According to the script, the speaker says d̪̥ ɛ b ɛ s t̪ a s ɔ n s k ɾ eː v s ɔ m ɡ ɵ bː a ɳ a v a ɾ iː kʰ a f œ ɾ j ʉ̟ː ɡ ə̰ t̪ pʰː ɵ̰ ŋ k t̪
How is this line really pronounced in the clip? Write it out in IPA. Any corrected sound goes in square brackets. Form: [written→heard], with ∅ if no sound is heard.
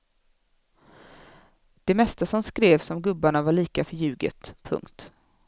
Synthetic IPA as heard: d̪̥ ɛ [b→m] ɛ s t̪ a s ɔ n s k ɾ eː v s ɔ m ɡ ɵ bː a ɳ a v a [ɾ→ɭ] iː [kʰ→k] a f œ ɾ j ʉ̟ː ɡ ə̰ t̪ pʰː ɵ̰ ŋ k t̪